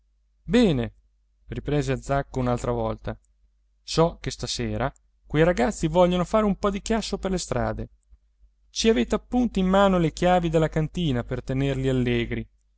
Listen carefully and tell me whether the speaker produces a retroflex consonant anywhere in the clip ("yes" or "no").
no